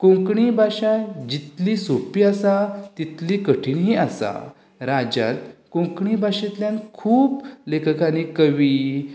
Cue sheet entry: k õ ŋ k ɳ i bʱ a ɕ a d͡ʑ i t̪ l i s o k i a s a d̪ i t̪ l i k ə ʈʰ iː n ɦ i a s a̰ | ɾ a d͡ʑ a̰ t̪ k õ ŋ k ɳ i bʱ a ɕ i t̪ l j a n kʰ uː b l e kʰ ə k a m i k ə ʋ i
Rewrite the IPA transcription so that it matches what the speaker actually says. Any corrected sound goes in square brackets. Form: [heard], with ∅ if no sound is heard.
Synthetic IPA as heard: k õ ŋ k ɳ i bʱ a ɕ a d͡ʑ i t̪ l i s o [p] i a s a [t̪] i t̪ l i k ə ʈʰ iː n ɦ i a s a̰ | ɾ a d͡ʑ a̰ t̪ k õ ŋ k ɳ i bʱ a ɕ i t̪ l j a n kʰ uː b l e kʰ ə k a [n] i k ə ʋ i